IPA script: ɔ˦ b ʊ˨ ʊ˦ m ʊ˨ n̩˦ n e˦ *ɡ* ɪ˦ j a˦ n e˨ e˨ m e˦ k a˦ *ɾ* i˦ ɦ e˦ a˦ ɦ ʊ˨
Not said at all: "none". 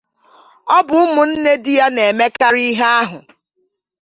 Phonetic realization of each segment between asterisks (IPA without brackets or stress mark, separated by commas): d, ɾ